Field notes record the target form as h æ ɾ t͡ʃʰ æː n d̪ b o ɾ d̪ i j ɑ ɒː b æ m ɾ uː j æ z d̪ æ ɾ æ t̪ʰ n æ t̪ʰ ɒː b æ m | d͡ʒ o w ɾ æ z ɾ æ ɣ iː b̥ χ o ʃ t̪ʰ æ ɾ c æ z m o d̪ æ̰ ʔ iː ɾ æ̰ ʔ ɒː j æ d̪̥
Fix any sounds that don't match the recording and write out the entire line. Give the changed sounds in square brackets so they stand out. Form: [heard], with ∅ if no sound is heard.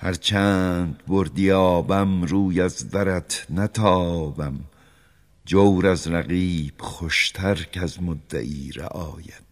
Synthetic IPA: h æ ɾ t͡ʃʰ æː n d̪ b o ɾ d̪ i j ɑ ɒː b æ m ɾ uː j æ z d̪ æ ɾ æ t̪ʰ n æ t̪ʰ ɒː b æ m | d͡ʒ o w ɾ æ z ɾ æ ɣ iː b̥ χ o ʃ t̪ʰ æ ɾ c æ z m o [d̪ː] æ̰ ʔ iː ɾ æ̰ ʔ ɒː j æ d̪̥